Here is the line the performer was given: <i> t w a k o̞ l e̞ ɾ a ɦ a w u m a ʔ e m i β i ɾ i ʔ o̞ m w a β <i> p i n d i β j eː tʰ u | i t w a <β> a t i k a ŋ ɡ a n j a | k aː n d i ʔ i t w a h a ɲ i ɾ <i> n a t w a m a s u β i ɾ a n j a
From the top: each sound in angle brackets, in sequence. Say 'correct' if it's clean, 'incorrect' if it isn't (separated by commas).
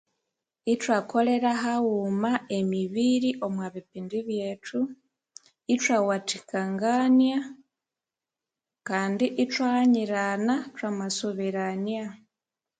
correct, correct, incorrect, incorrect